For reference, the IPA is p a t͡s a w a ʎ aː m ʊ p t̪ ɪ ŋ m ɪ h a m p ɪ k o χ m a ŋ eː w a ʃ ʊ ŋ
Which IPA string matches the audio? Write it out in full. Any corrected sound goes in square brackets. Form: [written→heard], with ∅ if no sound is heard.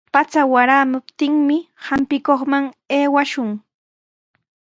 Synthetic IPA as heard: p a t͡s a w a [ʎ→ɾ] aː m ʊ p t̪ ɪ ŋ m ɪ h a m p ɪ k o χ m a ŋ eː w a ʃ ʊ ŋ